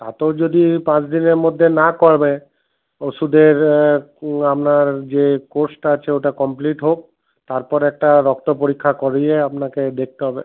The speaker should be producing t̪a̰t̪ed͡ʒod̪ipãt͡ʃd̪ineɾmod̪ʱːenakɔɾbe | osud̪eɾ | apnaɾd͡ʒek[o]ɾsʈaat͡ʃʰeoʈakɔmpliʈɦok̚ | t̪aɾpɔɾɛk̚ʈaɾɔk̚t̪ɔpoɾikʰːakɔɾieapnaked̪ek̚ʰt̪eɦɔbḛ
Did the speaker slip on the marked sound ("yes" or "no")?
no